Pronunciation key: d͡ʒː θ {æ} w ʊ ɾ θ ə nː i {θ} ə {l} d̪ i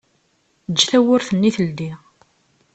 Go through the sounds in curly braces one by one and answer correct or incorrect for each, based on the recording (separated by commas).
correct, correct, correct